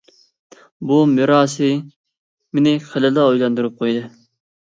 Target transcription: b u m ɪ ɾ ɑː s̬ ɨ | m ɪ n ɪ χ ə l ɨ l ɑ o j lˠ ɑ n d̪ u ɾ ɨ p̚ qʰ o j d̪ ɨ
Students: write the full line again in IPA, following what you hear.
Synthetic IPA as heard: b u m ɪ ɾ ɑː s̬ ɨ | m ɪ n ɪ χ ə l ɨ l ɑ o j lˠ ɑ n d̪ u ɾ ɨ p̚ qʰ o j d̪ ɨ

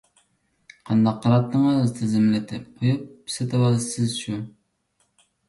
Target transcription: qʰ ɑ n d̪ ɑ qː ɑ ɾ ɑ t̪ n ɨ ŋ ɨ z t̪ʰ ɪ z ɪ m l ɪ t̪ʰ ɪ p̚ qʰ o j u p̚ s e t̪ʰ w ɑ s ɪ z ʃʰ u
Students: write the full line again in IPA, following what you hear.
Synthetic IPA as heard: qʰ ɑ n d̪ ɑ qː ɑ ɾ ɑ t̪ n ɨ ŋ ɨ z t̪ʰ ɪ z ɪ m l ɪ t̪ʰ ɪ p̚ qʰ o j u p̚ s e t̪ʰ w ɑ s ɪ z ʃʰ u

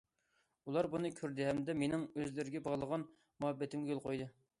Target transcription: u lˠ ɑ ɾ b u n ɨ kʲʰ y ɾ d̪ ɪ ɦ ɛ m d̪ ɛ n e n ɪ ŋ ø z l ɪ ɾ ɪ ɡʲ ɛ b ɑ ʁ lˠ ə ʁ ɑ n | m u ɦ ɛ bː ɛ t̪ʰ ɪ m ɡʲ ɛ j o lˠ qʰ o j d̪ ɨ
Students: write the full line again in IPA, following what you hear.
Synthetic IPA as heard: u lˠ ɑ ɾ b u n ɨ kʲʰ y ɾ d̪ ɪ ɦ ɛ m d̪ ɛ m e n ɪ ŋ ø z l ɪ ɾ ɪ ɡʲ ɛ b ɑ ʁ lˠ ə ʁ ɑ n | m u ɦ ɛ bː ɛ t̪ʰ ɪ m ɡʲ ɛ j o lˠ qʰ o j d̪ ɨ

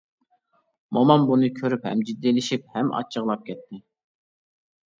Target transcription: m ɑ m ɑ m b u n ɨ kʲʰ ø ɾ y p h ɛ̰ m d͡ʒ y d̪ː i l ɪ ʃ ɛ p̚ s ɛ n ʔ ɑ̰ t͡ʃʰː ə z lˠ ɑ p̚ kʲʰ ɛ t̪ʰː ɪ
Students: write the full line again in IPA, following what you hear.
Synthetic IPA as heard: m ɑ m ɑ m b u n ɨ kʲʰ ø ɾ y p h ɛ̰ m d͡ʒ i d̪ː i l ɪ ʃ i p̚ h ɛ m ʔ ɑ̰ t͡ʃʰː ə ʁ lˠ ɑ p̚ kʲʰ ɛ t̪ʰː ɪ

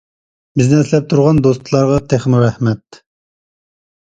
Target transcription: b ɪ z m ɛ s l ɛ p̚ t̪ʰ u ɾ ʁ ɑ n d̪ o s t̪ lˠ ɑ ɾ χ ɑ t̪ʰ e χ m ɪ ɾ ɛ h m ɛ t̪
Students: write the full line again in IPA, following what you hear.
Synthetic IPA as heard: b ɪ z n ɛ s l ɛ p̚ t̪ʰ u ɾ ʁ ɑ n d̪ o s t̪ lˠ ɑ ɾ ʁ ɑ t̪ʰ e χ m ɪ ɾ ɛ h m ɛ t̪

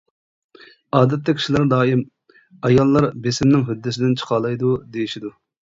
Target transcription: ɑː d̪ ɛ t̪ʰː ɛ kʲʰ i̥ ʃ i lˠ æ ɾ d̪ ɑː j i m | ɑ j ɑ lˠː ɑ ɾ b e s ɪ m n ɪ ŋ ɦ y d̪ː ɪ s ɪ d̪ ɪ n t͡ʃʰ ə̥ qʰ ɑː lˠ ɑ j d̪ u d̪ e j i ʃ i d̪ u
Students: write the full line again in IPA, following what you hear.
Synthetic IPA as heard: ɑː d̪ ɛ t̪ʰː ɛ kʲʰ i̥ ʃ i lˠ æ ɾ d̪ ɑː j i m | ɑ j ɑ lˠː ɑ ɾ b e s ɪ m n ɪ ŋ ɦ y d̪ː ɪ s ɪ d̪ ɪ n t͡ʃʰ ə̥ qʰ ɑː lˠ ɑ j d̪ u d̪ e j i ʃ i d̪ u

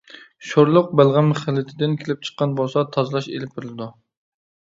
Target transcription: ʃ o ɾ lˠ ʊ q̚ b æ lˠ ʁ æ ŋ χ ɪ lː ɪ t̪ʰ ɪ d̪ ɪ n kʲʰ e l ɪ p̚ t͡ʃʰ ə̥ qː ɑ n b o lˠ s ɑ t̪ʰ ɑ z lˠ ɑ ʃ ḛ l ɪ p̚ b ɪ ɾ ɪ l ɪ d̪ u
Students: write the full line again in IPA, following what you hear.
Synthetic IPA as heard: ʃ o ɾ lˠ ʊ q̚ b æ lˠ ʁ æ m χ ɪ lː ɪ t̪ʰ ɪ d̪ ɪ n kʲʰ e l ɪ p̚ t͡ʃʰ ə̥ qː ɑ n b o lˠ s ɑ t̪ʰ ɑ z lˠ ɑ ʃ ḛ l ɪ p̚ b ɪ ɾ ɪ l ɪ d̪ u

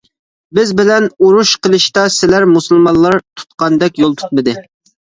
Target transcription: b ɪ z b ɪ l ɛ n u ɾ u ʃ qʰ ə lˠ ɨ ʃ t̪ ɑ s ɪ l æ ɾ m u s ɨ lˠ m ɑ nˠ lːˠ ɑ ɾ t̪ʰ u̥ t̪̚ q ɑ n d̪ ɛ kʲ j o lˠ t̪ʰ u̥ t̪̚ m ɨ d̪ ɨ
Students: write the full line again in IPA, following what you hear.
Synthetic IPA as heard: b ɪ z b ɪ l ɛ n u ɾ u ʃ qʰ ə lˠ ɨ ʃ t̪ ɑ s ɪ l æ ɾ m u s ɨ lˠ m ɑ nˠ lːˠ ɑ ɾ t̪ʰ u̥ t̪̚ q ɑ n d̪ ɛ kʲ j o lˠ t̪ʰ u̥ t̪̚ m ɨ d̪ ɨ

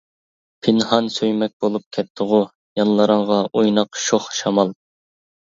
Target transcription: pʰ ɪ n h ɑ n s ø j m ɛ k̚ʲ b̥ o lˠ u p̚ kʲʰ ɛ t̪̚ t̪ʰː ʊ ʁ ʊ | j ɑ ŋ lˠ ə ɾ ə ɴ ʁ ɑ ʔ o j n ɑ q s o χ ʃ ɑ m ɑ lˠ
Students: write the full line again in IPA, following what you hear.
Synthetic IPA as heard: pʰ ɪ n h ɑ n s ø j m ɛ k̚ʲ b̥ o lˠ u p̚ kʲʰ ɛ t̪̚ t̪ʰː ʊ ʁ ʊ | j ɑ n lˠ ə ɾ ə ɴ ʁ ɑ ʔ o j n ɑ q ʃ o χ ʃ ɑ m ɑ lˠ

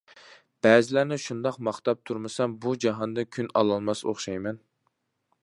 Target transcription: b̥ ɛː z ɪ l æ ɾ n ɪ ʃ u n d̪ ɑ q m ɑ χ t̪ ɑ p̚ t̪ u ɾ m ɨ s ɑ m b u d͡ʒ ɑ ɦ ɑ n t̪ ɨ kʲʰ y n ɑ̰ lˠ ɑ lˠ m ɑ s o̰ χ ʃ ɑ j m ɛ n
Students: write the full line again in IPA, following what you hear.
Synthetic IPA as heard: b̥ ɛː z ɪ l æ ɾ n ɪ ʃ u n d̪ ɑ q m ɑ χ t̪ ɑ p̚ t̪ʰ u ɾ m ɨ s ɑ m b u d͡ʒ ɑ ɦ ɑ n d̪ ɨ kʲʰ y n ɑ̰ lˠ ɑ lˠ m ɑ s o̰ χ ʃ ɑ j m ɛ n

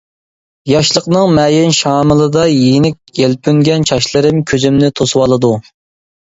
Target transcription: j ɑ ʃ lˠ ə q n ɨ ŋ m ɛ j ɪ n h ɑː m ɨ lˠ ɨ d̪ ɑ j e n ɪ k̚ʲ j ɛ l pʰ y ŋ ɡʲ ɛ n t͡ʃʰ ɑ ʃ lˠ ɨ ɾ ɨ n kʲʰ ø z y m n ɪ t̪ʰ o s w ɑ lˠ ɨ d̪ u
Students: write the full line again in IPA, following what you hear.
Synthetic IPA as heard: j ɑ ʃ lˠ ə q n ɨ ŋ m ɛ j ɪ n ʃ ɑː m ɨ lˠ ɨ d̪ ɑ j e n ɪ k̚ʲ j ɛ l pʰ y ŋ ɡʲ ɛ n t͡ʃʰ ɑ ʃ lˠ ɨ ɾ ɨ m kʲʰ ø z y m n ɪ t̪ʰ o s w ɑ lˠ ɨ d̪ u

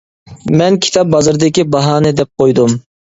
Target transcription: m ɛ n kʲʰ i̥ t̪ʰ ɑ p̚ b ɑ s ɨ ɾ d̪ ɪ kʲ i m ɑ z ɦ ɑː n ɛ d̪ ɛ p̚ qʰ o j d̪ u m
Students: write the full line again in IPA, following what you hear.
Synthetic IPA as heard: m ɛ n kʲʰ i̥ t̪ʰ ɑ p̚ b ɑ z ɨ ɾ d̪ ɪ kʲ i b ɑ ɦ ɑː n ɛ d̪ ɛ p̚ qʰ o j d̪ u m

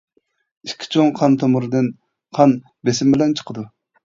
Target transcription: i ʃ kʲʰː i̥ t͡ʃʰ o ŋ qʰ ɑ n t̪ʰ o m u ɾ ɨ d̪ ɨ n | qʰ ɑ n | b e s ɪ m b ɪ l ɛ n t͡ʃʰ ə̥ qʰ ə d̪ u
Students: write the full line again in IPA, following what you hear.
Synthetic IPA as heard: i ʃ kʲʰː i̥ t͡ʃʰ o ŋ qʰ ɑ n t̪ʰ o m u ɾ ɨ d̪ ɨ n | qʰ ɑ n | b e s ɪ m b ɪ l ɛ n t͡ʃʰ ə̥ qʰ ə d̪ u

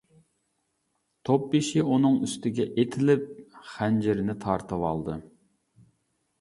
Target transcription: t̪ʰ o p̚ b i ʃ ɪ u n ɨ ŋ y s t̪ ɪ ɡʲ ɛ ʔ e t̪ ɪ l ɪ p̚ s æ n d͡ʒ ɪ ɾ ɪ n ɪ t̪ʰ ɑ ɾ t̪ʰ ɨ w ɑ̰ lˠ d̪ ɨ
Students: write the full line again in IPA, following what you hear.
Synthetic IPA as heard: t̪ʰ o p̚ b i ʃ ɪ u n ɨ ŋ y s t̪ ɪ ɡʲ ɛ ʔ e t̪ʰ ɪ l ɪ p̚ χ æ n d͡ʒ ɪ ɾ ɪ n ɪ t̪ʰ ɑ ɾ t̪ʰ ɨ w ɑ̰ lˠ d̪ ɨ

